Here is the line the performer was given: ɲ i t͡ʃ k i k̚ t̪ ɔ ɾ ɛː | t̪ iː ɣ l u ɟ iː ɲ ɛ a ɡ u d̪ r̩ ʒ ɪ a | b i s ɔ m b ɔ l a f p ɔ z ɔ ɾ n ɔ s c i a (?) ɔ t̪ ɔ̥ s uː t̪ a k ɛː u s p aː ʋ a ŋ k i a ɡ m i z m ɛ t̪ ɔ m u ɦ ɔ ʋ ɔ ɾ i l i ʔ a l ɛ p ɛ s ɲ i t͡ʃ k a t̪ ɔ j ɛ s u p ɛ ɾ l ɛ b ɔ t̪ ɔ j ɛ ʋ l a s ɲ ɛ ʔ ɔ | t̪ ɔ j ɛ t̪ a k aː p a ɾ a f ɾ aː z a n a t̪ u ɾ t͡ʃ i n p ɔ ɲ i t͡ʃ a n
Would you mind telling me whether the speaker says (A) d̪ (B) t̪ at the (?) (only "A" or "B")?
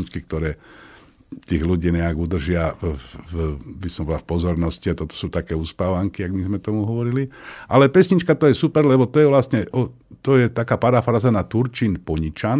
B